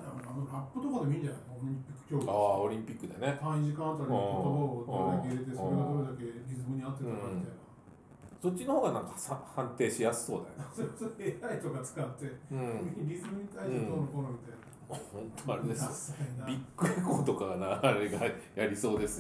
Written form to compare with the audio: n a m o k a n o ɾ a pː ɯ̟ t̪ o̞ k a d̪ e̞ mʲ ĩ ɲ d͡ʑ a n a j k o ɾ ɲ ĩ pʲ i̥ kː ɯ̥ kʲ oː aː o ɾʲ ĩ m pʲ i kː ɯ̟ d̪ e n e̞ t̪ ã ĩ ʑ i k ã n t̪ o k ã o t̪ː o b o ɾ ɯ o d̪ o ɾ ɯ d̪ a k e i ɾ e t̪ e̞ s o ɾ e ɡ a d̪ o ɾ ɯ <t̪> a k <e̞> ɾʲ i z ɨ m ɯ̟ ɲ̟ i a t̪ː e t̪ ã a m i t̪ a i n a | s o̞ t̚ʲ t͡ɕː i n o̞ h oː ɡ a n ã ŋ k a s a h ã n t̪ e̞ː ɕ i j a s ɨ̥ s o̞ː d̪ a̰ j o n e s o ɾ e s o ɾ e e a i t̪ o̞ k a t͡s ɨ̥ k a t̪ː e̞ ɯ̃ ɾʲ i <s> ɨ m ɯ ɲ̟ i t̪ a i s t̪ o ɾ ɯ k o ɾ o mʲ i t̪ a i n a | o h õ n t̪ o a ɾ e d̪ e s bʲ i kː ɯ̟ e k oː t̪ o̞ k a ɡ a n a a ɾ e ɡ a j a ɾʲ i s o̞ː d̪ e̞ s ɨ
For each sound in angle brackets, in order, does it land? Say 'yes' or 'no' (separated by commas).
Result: no, yes, no